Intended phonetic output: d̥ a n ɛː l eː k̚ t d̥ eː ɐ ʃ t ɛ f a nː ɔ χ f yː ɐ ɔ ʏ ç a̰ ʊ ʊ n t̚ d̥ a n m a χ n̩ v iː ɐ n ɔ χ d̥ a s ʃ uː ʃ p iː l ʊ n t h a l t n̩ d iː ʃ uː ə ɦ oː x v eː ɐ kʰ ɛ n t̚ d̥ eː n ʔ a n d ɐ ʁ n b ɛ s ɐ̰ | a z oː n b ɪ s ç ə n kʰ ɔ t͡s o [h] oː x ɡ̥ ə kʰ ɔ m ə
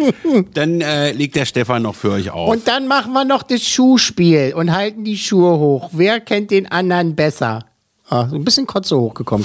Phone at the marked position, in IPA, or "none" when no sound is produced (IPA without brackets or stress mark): h